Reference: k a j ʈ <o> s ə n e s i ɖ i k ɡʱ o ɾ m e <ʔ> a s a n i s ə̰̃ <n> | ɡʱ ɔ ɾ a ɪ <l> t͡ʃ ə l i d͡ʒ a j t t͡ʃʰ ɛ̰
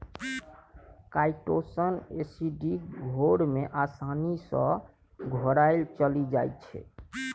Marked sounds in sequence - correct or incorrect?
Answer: correct, correct, incorrect, correct

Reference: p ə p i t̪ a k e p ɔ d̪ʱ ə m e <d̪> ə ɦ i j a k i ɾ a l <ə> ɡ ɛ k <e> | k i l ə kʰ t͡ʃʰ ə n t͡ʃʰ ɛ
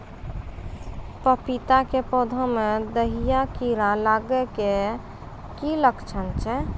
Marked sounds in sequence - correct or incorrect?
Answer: correct, incorrect, correct

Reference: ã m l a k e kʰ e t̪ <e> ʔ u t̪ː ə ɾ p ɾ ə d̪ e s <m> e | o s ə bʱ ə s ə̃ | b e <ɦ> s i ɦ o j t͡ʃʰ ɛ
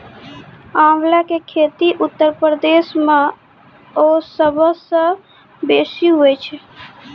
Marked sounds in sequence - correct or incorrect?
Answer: incorrect, correct, incorrect

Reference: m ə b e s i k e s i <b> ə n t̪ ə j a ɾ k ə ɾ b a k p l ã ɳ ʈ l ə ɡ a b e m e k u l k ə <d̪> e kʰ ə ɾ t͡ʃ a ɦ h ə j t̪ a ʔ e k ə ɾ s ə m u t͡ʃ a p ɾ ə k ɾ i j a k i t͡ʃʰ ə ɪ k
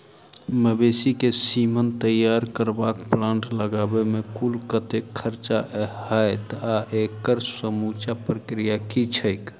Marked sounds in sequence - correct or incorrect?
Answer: incorrect, incorrect

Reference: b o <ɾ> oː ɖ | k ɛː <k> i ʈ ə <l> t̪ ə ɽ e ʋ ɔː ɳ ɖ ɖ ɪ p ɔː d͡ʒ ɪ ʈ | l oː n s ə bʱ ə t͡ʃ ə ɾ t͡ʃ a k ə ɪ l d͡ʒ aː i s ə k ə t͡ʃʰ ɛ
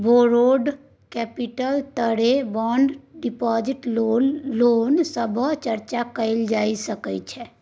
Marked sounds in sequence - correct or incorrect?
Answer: correct, incorrect, correct

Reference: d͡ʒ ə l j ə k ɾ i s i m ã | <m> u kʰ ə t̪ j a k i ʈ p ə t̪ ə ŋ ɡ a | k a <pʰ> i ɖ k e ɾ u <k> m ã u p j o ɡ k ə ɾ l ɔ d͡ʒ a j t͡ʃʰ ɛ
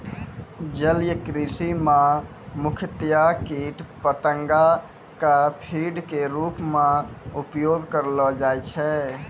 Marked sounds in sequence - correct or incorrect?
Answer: correct, correct, incorrect

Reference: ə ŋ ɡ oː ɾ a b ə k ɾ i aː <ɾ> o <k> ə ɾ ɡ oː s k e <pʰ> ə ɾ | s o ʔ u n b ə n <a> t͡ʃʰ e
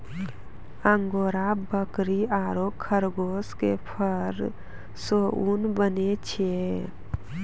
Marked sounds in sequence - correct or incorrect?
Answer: correct, incorrect, correct, incorrect

